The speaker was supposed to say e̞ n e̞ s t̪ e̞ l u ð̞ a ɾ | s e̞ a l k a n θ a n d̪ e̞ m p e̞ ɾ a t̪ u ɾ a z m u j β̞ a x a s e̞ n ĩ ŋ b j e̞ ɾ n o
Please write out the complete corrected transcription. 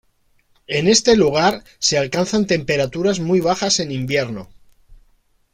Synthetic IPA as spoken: e̞ n e̞ s t̪ e̞ l u ɣ̞ a ɾ | s e̞ a l k a n θ a n t̪ e̞ m p e̞ ɾ a t̪ u ɾ a z m u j β̞ a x a s e̞ n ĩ m b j e̞ ɾ n o